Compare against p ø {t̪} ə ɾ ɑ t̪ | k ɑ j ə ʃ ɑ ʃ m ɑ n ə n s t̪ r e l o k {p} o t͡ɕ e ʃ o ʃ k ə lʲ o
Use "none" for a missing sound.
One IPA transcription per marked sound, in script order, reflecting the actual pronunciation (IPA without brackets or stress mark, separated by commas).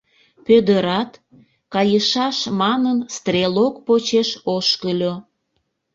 d̪, p